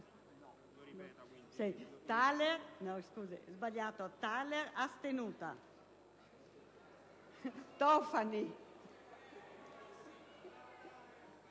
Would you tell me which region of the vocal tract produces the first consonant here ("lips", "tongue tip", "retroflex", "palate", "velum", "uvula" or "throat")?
tongue tip